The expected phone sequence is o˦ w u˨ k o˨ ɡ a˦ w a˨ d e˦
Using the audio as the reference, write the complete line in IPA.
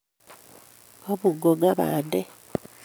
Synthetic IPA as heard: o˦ β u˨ ɡ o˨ ɡ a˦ β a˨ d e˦